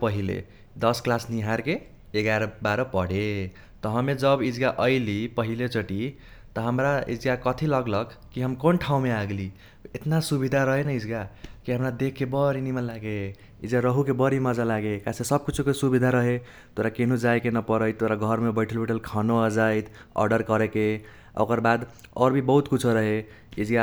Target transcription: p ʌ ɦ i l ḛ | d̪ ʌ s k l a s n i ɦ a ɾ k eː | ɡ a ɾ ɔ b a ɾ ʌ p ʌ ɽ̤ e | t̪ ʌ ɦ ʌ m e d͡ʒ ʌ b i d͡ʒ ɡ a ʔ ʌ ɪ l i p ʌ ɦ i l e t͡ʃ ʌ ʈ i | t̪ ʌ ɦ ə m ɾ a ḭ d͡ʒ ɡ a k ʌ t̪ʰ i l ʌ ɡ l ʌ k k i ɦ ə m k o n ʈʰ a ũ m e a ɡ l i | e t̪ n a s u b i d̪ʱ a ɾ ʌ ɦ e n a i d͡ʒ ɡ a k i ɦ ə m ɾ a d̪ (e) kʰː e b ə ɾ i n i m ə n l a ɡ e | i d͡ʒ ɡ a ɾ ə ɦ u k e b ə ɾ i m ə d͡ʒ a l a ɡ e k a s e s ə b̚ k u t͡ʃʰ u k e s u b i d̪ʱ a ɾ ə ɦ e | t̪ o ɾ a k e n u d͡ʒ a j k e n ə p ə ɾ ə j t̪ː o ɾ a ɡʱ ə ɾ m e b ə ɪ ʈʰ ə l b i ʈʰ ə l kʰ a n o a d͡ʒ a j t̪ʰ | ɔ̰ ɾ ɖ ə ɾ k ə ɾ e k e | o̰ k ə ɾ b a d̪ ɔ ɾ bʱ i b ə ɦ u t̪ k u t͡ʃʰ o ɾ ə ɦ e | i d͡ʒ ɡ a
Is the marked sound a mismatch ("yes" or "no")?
no